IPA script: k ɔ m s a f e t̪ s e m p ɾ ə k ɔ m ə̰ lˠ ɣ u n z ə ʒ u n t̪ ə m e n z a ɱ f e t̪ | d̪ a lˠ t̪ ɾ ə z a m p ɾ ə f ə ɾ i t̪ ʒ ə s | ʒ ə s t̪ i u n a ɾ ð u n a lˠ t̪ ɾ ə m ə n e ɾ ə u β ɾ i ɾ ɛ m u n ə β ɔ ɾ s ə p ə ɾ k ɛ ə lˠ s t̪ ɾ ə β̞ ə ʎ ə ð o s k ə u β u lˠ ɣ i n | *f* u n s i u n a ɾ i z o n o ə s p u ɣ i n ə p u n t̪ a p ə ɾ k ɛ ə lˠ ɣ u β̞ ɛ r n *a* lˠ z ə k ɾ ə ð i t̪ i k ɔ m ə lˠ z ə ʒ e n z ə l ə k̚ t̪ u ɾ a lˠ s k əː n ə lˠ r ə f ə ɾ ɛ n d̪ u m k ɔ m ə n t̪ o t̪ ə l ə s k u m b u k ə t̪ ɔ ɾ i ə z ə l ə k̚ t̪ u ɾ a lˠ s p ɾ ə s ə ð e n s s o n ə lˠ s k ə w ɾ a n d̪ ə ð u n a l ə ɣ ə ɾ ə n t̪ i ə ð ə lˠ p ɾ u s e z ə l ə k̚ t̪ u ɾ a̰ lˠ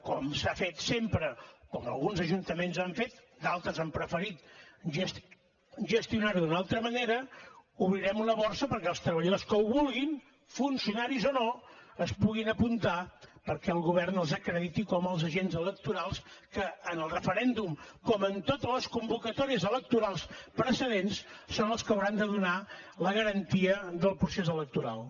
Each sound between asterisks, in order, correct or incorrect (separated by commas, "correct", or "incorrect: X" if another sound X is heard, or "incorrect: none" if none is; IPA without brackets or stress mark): correct, incorrect: ə